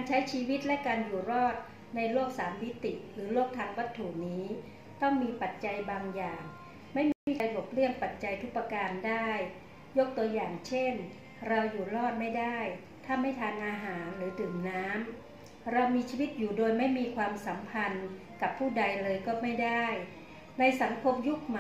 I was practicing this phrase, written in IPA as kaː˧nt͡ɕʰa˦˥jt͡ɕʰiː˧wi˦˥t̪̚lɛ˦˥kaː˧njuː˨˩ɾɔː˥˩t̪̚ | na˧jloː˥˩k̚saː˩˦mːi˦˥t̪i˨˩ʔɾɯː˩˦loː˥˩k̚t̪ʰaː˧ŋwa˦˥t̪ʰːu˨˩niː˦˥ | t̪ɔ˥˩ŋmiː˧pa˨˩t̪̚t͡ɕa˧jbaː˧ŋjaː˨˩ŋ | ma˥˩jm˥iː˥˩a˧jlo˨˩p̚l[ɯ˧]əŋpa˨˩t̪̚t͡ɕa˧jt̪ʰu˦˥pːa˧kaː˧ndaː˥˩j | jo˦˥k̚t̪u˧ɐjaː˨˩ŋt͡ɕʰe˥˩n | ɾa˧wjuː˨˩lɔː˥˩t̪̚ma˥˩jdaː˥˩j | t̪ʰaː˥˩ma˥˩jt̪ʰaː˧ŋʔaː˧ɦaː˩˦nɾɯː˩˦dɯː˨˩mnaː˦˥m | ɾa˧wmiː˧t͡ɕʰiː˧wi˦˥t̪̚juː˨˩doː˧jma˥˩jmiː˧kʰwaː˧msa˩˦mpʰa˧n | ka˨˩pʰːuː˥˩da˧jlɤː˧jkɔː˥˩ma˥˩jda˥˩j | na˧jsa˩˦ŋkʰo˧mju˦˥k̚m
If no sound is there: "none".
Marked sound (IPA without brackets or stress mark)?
ɯ˥˩